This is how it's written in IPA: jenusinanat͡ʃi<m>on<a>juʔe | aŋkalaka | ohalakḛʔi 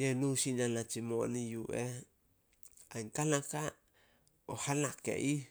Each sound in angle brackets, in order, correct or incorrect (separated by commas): correct, incorrect